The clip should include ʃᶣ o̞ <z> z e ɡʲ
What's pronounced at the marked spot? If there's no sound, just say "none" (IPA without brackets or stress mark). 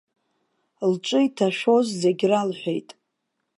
z